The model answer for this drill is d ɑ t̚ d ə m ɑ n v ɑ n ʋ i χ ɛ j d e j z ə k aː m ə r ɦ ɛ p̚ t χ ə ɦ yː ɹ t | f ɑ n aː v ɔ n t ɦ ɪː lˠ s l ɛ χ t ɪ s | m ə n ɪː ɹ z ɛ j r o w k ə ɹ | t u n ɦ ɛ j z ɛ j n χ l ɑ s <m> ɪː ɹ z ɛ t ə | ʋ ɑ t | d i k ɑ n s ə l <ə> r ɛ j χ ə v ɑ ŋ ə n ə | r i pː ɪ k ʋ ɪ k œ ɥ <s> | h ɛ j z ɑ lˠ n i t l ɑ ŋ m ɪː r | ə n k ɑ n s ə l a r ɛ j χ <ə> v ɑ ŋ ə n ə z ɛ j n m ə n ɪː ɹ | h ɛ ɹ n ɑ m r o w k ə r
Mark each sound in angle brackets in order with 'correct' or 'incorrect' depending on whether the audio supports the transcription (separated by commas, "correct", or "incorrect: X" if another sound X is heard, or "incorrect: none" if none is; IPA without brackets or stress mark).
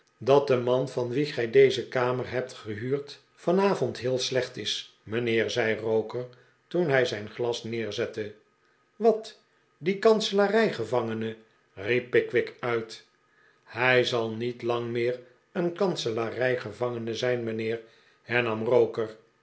incorrect: n, incorrect: a, incorrect: t, correct